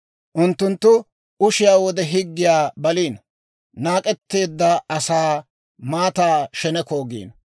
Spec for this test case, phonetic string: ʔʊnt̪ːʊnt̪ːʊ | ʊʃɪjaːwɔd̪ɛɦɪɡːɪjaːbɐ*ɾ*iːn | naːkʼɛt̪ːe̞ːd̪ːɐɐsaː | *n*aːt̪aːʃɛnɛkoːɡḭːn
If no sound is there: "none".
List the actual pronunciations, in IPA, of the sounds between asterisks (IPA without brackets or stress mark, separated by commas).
l, m